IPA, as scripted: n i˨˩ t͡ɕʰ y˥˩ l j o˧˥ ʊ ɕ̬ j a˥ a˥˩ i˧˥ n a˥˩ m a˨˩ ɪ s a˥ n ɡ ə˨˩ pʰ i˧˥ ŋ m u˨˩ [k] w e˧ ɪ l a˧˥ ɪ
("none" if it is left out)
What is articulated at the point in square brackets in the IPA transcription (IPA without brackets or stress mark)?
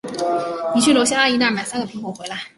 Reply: x